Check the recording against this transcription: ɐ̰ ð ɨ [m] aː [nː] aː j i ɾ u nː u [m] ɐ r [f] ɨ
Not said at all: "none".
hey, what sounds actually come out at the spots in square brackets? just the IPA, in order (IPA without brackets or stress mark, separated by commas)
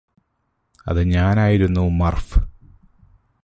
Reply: ɲ, n, m, f